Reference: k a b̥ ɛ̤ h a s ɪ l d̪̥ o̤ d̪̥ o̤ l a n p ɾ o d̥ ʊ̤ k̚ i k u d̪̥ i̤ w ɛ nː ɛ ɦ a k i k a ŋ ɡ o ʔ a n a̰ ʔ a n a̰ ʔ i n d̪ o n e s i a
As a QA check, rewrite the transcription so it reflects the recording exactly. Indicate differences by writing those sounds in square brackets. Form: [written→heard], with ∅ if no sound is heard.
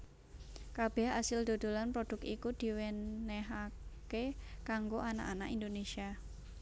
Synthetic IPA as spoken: k a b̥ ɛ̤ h a s ɪ l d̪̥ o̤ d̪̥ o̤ l a n p ɾ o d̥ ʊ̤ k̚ i k u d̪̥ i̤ w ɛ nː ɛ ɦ a k [i→e] k a ŋ ɡ o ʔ a n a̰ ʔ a n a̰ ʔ i n d̪ o n e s i a